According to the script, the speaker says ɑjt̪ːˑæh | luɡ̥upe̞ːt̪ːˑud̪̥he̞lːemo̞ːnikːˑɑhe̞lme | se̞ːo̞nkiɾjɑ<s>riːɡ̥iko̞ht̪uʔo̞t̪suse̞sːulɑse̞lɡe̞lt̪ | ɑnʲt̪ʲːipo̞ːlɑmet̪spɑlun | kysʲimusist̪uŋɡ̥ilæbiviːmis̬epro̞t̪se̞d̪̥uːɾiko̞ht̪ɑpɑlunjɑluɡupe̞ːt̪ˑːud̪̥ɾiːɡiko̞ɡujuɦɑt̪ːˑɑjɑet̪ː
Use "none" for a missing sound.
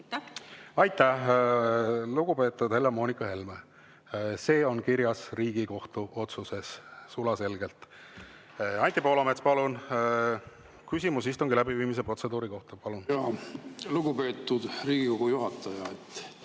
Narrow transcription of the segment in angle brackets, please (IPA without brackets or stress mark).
s